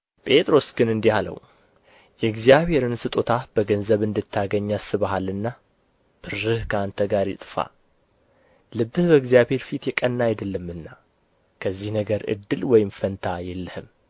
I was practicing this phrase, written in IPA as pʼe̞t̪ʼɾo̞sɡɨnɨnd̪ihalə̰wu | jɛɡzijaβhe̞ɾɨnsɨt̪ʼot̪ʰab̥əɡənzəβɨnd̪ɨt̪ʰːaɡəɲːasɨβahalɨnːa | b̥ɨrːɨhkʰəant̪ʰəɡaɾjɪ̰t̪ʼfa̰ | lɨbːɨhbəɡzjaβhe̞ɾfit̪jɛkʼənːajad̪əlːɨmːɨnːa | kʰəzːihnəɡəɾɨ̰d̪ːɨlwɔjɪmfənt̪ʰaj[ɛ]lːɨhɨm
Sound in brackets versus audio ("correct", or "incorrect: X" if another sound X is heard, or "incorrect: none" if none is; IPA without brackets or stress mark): correct